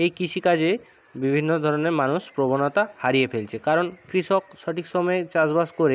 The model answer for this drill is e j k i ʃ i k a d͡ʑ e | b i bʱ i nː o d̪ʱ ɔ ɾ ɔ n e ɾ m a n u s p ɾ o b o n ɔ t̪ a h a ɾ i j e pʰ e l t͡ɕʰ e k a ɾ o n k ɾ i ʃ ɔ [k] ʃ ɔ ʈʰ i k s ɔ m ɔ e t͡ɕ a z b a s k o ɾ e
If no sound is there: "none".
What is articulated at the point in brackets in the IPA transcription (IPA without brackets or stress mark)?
k